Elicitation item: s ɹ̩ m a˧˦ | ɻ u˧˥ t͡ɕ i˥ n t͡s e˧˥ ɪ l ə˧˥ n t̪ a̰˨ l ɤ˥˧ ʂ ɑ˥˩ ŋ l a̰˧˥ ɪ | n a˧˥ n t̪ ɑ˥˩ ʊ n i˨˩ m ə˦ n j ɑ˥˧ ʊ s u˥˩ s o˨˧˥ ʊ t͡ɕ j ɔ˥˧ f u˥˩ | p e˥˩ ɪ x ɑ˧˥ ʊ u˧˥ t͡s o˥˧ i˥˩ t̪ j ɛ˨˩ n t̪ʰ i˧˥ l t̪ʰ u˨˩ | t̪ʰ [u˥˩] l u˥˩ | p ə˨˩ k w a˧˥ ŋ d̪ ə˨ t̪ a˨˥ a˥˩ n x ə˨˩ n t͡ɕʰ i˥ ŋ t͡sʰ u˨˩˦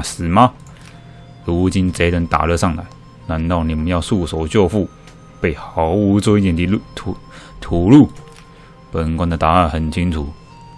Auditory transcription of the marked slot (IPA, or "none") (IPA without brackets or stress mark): u˨˩